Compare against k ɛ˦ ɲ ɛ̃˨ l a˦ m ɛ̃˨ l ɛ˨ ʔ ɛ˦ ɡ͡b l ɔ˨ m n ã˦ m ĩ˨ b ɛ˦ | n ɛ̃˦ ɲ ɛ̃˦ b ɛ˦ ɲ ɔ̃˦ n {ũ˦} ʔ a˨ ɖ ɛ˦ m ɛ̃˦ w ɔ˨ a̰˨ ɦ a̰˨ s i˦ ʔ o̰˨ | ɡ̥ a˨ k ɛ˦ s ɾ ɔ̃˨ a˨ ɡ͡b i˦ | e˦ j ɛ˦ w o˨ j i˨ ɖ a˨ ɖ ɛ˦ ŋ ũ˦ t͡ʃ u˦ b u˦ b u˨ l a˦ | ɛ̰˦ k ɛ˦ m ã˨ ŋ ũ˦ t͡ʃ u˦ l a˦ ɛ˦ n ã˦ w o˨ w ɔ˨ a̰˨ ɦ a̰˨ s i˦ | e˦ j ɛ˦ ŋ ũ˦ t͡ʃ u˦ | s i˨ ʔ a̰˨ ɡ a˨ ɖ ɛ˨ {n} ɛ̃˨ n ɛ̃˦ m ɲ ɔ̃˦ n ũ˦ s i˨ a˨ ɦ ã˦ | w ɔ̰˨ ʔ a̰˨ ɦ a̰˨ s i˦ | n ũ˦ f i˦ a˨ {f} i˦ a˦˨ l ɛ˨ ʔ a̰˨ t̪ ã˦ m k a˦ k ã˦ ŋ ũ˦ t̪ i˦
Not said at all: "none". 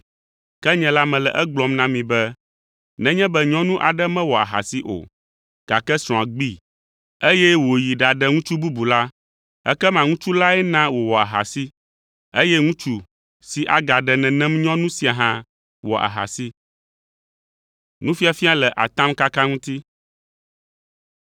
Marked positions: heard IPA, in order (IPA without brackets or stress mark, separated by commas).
ũ˦, n, f